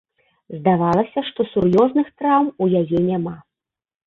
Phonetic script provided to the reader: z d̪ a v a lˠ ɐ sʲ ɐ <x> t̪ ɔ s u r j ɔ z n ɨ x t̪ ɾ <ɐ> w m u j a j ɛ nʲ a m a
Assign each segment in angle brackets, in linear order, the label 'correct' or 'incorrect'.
incorrect, incorrect

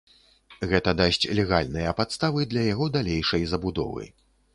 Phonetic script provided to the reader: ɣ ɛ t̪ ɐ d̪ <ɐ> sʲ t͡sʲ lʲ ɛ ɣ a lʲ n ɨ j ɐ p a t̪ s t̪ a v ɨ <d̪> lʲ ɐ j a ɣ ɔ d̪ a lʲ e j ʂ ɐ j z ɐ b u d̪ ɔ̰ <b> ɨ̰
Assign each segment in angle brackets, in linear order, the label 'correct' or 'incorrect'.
incorrect, correct, incorrect

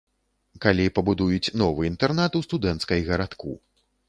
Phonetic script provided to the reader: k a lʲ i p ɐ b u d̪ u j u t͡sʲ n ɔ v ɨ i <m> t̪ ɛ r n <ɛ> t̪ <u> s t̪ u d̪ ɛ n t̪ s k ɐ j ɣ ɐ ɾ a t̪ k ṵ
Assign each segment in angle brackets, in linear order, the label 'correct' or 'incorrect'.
incorrect, incorrect, correct

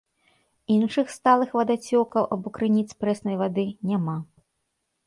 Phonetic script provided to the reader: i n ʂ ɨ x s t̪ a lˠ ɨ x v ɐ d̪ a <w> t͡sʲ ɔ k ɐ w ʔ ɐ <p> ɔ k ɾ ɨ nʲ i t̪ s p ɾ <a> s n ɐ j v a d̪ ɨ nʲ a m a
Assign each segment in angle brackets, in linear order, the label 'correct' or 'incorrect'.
incorrect, incorrect, incorrect

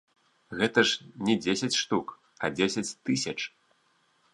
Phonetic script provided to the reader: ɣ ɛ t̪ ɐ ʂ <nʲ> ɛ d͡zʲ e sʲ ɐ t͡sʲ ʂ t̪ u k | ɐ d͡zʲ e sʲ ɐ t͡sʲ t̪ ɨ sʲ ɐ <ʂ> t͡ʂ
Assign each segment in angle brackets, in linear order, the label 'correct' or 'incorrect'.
correct, incorrect

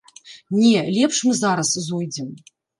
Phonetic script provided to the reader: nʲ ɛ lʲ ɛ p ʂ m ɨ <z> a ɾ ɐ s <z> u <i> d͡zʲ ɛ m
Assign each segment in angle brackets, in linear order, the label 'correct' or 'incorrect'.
correct, correct, incorrect

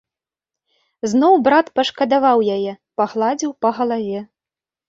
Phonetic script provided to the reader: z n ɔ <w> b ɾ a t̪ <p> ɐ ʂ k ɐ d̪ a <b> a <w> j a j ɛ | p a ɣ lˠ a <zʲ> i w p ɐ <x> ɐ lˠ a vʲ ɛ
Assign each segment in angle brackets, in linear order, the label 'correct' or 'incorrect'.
correct, correct, incorrect, correct, incorrect, incorrect

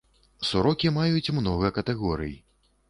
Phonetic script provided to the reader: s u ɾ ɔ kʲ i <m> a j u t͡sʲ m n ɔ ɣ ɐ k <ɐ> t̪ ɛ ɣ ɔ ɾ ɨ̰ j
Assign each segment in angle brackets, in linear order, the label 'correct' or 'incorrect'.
correct, correct

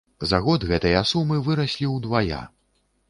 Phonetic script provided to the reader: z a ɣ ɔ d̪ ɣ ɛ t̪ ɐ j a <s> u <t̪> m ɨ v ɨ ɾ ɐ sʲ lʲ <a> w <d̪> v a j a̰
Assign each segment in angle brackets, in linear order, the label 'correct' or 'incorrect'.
correct, incorrect, incorrect, correct

